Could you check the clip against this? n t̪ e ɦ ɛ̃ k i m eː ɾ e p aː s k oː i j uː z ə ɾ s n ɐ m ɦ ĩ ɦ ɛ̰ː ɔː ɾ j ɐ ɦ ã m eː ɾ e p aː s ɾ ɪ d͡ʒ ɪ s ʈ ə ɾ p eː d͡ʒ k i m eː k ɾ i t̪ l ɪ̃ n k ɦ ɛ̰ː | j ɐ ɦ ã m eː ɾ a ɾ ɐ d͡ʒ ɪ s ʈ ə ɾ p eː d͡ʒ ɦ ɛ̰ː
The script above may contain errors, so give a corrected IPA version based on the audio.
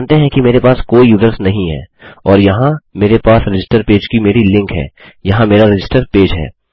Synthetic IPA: n t̪ e ɦ ɛ̃ k i m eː ɾ e p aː s k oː i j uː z ə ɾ s n ɐ ɦ ĩ ɦ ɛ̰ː ɔː ɾ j ɐ ɦ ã m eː ɾ e p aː s ɾ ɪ d͡ʒ ɪ s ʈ ə ɾ p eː d͡ʒ k i m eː ɾ i l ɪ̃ ŋ k ɦ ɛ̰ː | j ɐ ɦ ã m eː ɾ a ɾ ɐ d͡ʒ ɪ s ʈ ə ɾ p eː d͡ʒ ɦ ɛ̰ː